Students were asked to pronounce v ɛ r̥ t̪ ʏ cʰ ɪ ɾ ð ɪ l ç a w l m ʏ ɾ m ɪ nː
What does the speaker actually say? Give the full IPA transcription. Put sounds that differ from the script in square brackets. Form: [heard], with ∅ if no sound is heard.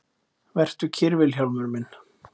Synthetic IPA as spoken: v ɛ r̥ t̪ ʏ cʰ ɪ ɾ [v] ɪ l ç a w l m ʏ ɾ m ɪ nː